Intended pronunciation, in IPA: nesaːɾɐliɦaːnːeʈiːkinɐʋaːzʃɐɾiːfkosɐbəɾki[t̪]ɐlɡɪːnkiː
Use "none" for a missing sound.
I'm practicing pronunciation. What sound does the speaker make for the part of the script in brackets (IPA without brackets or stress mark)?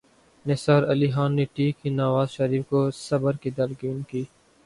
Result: d̪